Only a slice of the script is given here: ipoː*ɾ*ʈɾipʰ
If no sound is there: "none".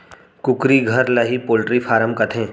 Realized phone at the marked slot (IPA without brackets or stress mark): l